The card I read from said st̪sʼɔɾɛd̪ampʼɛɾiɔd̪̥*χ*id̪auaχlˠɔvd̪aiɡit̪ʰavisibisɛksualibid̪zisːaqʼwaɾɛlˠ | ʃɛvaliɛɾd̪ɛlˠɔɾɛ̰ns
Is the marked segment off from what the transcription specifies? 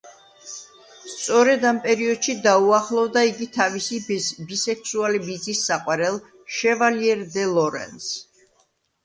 yes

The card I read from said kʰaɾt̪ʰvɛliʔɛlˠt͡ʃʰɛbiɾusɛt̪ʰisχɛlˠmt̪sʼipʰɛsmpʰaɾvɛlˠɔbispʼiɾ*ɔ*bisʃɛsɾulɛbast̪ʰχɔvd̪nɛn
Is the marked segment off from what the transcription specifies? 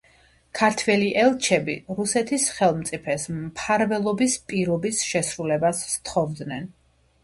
no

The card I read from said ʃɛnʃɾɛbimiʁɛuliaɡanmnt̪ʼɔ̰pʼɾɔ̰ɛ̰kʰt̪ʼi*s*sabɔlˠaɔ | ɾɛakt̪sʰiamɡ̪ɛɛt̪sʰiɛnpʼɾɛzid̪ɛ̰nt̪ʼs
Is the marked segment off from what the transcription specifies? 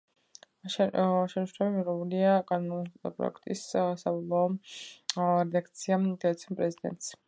no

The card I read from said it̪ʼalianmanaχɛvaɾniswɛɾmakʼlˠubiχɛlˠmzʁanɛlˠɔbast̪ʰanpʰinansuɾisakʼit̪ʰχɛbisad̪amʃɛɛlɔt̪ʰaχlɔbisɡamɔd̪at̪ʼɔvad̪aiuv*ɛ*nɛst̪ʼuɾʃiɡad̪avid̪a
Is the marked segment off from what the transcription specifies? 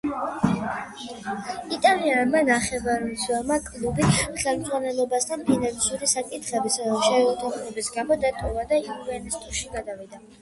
no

